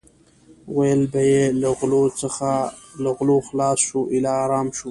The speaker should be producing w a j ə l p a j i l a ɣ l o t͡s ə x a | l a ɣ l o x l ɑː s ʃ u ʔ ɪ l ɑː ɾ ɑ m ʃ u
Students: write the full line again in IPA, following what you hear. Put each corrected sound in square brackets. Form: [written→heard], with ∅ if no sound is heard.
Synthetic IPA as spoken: w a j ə l [p→b] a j [i→e] l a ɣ l o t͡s ə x a | l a ɣ l o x l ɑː s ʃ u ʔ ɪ l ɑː ɾ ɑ m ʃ u